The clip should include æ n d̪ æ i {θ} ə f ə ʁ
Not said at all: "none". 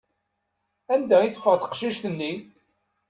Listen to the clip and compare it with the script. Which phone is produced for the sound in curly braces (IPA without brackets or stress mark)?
θ